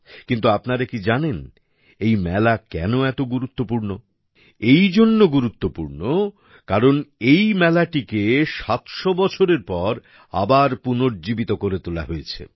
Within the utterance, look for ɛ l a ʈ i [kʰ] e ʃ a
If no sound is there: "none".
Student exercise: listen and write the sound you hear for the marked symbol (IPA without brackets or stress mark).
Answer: k